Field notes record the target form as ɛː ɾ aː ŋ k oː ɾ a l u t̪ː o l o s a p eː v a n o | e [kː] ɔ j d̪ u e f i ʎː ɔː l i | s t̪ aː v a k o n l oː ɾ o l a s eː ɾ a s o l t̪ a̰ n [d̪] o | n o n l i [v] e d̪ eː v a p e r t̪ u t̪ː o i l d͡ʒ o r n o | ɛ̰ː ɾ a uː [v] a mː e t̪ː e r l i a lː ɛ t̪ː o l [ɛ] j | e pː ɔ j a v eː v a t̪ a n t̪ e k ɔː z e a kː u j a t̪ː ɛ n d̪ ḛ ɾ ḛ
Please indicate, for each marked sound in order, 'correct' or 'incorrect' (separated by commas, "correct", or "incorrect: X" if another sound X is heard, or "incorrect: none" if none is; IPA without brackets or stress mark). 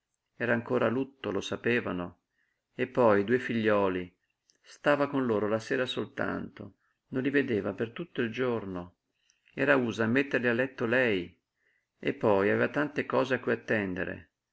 incorrect: pː, incorrect: t̪, correct, incorrect: z, correct